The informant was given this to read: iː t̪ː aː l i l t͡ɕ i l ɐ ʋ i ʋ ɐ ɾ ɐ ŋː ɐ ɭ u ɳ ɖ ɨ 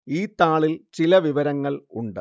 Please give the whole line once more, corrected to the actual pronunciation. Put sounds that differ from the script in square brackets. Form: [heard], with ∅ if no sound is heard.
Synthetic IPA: iː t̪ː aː [ɭ] i l t͡ɕ i l ɐ ʋ i ʋ ɐ ɾ ɐ ŋː ɐ ɭ u ɳ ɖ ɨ